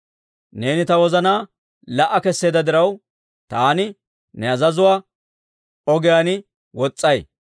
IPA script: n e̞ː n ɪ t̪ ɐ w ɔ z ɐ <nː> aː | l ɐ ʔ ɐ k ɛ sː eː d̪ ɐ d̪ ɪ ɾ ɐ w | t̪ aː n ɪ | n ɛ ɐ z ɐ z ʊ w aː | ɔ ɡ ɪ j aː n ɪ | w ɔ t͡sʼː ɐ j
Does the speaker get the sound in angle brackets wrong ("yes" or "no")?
yes